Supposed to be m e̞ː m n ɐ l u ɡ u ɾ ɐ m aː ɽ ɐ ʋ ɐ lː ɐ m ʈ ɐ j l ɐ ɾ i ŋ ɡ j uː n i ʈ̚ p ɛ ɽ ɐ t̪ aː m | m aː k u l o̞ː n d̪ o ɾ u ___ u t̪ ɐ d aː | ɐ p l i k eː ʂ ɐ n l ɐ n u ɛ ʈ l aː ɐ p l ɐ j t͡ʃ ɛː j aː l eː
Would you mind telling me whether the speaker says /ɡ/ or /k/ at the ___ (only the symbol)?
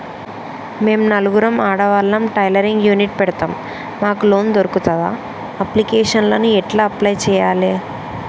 k